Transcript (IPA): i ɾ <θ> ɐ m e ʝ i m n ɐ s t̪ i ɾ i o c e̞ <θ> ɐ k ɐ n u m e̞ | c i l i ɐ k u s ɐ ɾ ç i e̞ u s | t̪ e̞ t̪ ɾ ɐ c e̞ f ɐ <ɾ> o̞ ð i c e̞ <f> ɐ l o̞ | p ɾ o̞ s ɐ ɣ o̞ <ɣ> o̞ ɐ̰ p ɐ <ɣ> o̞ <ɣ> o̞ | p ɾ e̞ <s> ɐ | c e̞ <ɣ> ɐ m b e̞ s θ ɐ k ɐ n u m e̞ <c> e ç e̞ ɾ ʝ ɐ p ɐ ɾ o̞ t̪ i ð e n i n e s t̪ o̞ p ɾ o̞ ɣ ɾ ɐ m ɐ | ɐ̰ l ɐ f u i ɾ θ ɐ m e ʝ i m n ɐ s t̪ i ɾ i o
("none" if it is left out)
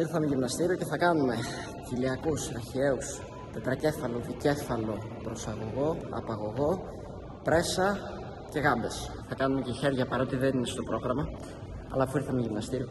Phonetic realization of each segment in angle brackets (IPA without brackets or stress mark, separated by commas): θ, θ, l, f, ɣ, ɣ, ɣ, s, ɣ, c